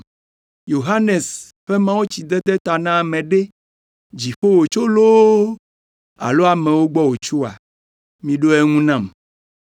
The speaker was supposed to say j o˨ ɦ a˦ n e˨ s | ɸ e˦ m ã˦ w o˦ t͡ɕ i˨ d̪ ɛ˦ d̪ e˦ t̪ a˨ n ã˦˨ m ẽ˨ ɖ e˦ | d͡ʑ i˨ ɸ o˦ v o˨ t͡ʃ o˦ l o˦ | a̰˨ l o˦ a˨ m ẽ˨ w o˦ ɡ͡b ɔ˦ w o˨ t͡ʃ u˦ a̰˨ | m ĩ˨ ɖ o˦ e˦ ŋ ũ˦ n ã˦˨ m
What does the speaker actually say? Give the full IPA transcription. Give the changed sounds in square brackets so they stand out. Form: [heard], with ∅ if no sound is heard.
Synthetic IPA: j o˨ ɦ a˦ n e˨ s | ɸ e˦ m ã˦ w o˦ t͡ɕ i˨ d̪ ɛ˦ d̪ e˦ t̪ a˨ n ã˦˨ m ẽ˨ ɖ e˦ | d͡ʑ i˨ ɸ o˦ [w] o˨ t͡ʃ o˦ l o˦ | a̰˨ l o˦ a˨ m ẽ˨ w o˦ ɡ͡b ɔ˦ w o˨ t͡ʃ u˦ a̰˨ | m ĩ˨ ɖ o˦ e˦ ŋ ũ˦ n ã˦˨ m